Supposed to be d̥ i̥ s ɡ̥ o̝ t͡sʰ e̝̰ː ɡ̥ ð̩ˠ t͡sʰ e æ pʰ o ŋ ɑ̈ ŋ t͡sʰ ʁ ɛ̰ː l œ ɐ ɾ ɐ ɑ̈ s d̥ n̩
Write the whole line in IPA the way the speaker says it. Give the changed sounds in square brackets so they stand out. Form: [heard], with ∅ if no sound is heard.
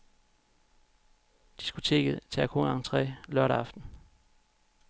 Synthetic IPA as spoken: d̥ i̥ s ɡ̥ o̝ t͡sʰ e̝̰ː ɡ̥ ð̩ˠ t͡sʰ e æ [kʰ] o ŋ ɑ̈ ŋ t͡sʰ ʁ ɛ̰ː l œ ɐ ɾ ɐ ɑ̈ [f] d̥ n̩